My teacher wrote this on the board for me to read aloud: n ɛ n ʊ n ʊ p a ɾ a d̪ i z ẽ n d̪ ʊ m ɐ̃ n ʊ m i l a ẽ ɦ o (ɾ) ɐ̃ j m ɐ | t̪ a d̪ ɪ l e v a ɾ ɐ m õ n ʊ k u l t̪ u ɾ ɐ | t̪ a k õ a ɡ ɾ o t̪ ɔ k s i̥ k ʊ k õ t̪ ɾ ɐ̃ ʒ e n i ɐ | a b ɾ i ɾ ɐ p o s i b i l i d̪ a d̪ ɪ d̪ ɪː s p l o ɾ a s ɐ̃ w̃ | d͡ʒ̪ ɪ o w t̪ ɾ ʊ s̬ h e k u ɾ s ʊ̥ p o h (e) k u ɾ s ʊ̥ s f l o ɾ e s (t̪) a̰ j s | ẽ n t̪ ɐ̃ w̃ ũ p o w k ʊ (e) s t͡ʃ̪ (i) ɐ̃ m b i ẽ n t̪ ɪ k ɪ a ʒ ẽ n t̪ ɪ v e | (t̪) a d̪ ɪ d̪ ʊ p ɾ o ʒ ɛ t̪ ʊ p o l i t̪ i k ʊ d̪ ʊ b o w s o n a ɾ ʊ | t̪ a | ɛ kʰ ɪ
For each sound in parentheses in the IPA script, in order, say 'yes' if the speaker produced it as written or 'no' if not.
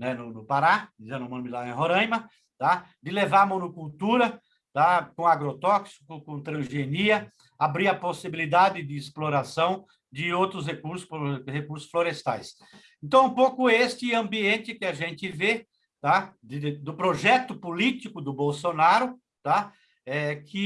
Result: yes, yes, yes, yes, no, yes

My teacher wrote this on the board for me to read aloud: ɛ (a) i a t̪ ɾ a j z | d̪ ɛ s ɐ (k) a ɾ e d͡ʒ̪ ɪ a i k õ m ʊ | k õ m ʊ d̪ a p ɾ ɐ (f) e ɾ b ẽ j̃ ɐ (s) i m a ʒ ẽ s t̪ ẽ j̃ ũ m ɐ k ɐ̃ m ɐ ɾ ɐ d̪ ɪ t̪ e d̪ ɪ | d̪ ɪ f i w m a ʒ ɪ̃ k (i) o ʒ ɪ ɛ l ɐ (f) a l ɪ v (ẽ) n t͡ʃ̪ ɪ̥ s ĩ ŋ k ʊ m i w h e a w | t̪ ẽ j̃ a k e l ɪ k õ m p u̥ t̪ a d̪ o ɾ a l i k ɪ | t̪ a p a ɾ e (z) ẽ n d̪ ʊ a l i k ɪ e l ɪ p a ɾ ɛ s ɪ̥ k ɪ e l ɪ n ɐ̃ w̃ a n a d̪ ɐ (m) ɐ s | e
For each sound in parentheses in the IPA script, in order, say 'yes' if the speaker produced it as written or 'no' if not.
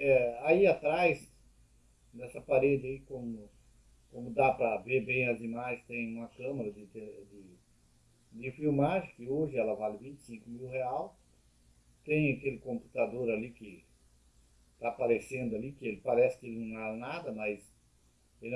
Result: yes, no, no, no, no, no, no, no, yes

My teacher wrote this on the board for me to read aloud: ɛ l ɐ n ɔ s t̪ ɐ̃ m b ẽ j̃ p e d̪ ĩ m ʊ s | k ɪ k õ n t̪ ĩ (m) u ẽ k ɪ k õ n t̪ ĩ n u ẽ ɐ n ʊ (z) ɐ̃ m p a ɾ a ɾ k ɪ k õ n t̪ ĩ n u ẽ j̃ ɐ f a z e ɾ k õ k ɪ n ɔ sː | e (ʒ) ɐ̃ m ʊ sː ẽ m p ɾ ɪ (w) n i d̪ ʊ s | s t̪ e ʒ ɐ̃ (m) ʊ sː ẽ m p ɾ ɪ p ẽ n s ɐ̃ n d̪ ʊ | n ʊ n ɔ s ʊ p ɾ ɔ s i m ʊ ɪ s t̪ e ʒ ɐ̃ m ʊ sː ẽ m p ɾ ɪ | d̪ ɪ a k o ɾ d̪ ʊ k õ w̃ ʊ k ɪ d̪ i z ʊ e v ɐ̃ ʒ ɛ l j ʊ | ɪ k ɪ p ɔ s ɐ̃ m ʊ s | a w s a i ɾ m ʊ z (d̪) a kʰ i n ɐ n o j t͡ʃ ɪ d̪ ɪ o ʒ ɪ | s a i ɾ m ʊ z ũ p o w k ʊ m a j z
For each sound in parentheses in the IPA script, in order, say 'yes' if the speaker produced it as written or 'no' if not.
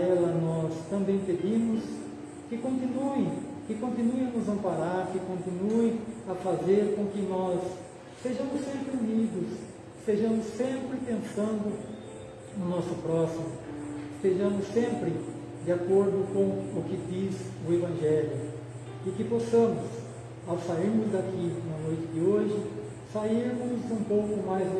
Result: no, yes, yes, no, yes, yes

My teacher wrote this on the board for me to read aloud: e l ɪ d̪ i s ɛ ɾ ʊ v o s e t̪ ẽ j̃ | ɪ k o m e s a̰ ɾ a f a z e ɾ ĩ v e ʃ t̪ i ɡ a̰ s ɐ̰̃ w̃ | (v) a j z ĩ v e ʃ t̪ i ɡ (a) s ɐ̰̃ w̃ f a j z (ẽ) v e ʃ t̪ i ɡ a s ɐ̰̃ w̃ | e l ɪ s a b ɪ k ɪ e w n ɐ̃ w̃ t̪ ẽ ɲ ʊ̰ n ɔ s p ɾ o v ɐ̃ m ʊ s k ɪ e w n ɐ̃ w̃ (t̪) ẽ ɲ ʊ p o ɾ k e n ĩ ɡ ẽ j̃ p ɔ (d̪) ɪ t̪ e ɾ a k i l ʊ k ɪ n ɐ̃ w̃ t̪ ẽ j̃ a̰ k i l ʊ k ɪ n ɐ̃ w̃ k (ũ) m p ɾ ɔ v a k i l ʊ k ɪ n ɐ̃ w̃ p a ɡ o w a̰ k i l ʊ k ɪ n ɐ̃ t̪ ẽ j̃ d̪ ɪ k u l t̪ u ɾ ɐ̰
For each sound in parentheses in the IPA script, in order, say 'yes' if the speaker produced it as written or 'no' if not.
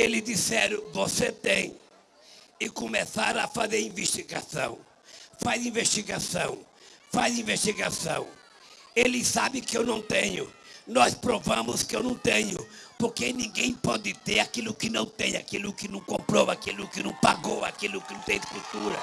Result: no, yes, no, yes, yes, no

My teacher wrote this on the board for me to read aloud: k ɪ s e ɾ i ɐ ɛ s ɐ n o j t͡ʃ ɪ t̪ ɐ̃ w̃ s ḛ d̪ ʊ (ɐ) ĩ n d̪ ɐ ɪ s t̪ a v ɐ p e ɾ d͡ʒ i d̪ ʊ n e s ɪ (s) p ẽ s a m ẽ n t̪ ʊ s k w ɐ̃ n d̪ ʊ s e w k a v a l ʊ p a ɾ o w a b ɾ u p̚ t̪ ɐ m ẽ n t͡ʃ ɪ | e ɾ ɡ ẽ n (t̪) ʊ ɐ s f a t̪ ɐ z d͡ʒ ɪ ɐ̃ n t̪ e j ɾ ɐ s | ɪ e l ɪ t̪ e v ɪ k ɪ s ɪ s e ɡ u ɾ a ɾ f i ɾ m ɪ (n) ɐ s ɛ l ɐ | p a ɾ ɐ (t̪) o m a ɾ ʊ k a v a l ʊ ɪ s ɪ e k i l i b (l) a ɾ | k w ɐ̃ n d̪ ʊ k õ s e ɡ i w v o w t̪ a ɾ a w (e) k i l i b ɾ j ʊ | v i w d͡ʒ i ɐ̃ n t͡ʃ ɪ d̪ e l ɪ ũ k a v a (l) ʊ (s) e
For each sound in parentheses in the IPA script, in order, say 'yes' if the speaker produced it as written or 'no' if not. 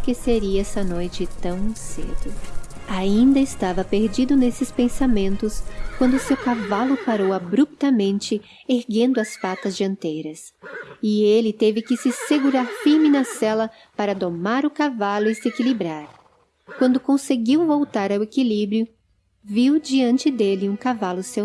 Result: no, yes, no, yes, no, no, yes, yes, yes

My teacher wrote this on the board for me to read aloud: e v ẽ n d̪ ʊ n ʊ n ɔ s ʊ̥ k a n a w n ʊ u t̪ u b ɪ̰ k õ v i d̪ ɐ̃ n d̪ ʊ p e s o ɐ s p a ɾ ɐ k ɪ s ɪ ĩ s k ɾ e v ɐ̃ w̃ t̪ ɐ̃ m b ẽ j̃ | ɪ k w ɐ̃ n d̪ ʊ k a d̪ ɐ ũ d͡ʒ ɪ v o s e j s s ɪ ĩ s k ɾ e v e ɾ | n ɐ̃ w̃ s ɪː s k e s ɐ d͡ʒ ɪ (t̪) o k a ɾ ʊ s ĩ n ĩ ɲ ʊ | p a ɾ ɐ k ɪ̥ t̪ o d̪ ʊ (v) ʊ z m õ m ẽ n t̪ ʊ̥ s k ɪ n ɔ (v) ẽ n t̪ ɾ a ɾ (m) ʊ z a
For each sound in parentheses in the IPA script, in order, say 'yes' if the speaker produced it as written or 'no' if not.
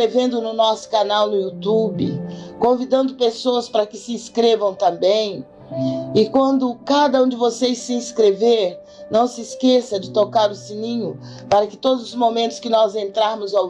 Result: yes, no, no, yes

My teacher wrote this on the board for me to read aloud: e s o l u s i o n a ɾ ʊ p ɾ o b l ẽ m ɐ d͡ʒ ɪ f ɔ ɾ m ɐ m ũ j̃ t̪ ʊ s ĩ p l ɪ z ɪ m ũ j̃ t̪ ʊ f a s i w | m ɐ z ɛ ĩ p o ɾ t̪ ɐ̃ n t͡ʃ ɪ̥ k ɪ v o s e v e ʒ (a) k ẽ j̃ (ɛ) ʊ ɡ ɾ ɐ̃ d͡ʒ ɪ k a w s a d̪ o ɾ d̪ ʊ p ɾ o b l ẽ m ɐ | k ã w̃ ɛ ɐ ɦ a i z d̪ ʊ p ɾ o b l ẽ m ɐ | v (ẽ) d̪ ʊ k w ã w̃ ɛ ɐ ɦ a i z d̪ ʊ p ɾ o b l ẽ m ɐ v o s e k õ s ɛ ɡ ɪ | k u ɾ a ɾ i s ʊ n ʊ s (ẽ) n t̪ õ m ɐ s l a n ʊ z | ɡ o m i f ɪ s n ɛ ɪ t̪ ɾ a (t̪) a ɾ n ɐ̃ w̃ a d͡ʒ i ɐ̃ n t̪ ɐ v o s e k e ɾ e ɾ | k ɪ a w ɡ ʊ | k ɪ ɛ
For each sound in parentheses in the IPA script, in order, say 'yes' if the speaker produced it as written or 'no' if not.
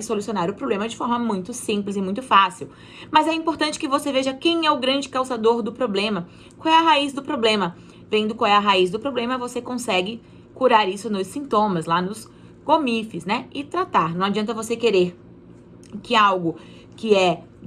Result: no, yes, yes, no, yes

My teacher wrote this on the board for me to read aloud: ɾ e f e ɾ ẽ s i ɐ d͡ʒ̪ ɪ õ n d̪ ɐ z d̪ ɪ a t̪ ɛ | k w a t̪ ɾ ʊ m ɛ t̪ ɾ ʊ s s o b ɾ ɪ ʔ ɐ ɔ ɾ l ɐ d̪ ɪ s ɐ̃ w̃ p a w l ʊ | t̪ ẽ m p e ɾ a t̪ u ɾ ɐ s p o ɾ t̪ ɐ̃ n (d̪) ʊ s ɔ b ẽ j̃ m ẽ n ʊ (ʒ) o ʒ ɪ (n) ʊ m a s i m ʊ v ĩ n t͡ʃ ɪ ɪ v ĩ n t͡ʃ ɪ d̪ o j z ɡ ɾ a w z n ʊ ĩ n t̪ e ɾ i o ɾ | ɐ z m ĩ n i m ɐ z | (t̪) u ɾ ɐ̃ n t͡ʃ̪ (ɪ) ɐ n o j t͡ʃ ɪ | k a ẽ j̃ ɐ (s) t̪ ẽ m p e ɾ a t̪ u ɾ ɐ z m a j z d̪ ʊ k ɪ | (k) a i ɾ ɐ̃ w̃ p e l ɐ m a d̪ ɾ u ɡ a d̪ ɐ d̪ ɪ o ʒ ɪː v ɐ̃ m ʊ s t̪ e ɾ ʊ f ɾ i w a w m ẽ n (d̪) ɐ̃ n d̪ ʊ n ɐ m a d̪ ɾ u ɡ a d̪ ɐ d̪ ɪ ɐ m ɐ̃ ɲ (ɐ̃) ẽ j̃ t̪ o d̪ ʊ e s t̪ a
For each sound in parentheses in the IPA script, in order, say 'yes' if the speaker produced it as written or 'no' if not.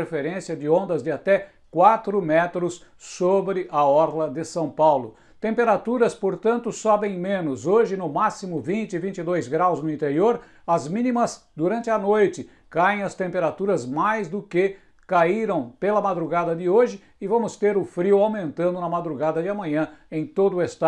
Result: no, no, yes, no, yes, yes, yes, no, yes

